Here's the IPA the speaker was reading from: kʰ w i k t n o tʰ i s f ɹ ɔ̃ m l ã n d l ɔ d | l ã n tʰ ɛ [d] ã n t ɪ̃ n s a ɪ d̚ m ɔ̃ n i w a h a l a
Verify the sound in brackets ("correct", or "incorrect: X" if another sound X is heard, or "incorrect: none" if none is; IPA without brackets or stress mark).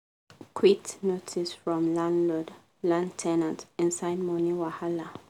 incorrect: n